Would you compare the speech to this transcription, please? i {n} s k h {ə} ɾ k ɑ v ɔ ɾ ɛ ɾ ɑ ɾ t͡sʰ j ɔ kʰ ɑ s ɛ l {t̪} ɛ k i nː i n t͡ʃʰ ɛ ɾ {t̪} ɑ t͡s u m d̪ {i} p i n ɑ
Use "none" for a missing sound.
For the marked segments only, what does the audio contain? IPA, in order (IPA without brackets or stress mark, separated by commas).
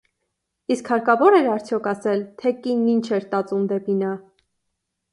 none, ɑ, t̪ʰ, t̪, ɛ